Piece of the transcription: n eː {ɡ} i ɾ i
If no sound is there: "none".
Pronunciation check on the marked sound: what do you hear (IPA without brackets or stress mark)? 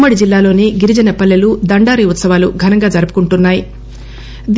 ɡ